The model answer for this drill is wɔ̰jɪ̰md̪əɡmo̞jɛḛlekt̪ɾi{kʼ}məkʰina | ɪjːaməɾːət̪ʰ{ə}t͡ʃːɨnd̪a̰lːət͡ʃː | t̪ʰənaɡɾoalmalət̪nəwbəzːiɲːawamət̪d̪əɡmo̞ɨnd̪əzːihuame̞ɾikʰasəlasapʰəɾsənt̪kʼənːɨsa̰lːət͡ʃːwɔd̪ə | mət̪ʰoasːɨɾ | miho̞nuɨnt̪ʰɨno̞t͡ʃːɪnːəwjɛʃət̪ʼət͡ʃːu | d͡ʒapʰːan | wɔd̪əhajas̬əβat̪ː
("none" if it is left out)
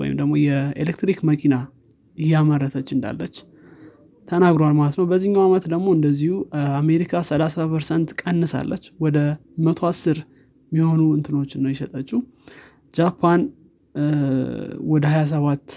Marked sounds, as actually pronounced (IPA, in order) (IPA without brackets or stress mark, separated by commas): k, ə